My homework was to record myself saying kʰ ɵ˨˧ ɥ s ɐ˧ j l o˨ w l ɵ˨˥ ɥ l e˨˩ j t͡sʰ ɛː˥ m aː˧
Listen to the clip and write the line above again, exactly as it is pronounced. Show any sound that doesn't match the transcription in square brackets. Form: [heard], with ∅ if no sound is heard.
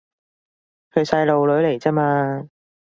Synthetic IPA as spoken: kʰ ɵ˨˧ ɥ s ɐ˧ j l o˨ w l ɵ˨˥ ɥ l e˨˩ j [t͡s] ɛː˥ m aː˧